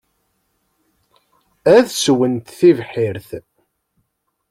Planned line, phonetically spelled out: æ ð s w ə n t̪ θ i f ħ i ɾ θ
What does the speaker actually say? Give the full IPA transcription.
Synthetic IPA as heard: æ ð s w ə n t̪ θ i v ħ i ɾ θ